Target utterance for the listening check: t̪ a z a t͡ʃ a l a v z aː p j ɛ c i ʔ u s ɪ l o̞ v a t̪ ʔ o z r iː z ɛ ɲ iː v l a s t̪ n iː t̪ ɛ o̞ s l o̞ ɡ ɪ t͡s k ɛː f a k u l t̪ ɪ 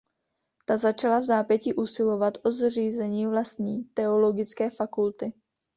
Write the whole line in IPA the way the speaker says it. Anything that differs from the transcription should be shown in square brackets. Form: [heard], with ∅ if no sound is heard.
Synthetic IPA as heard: t̪ a z a t͡ʃ a l a v z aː p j ɛ c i ʔ u s ɪ l o̞ v a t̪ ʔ o z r iː z ɛ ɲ iː v l a s t̪ [ɲ] iː t̪ ɛ o̞ [∅] l o̞ ɡ ɪ t͡s k ɛː f a k u l t̪ ɪ